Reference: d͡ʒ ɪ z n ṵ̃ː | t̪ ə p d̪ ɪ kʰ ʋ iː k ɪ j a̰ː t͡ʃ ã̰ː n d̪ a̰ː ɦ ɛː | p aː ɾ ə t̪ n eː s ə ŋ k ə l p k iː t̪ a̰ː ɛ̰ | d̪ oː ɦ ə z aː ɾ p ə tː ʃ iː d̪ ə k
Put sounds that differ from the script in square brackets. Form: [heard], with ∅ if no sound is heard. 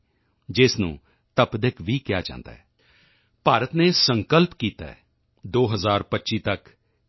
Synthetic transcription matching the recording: d͡ʒ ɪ [s] n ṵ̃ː | t̪ ə p d̪ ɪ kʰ ʋ iː k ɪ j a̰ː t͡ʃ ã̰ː n d̪ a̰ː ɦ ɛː | p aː ɾ ə t̪ n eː s ə ŋ k ə l p k iː t̪ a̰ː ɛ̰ | d̪ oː ɦ ə z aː ɾ p ə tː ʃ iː [t̪] ə k